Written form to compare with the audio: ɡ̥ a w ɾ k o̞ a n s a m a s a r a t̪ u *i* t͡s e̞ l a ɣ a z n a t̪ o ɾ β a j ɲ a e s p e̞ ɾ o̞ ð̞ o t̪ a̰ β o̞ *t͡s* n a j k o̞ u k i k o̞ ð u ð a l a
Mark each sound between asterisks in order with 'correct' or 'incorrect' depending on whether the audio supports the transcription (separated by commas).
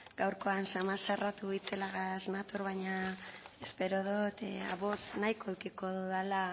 correct, correct